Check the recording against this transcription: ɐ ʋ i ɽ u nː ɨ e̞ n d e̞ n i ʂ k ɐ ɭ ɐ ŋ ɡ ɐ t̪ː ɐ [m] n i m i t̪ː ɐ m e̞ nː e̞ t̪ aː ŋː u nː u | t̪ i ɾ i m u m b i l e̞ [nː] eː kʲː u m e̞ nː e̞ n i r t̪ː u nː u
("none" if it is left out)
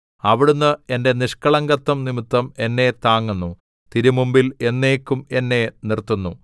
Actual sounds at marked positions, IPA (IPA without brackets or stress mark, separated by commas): m, nː